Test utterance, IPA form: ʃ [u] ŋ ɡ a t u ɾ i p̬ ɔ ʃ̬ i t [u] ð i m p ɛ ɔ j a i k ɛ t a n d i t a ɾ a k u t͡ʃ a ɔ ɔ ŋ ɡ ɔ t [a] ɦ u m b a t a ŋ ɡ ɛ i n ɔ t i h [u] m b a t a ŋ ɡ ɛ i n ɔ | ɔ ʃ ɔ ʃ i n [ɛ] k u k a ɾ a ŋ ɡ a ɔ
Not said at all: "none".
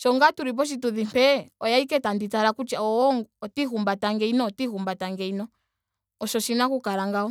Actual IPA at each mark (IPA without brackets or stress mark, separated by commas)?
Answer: ɔ, u, i, u, a